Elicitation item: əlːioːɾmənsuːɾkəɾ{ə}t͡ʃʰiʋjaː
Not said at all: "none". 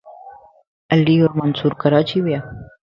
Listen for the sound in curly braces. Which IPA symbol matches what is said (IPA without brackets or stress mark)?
a